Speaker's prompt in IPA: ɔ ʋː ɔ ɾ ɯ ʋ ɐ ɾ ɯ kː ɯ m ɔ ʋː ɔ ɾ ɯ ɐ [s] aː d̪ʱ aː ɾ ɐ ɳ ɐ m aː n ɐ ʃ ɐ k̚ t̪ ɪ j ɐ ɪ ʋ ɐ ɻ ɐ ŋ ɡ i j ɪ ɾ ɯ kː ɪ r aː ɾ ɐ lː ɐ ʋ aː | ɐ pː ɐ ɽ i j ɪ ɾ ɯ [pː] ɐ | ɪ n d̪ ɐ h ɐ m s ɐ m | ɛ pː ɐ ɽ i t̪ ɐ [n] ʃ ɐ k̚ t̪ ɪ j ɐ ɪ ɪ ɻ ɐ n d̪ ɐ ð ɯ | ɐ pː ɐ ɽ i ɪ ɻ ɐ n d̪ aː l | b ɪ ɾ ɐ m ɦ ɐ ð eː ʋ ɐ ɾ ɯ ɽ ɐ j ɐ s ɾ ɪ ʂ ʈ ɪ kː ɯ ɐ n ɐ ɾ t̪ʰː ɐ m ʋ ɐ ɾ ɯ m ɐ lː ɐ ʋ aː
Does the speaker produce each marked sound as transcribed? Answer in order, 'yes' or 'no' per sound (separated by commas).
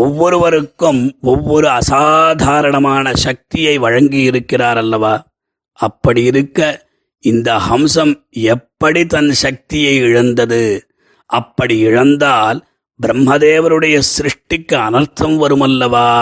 yes, no, yes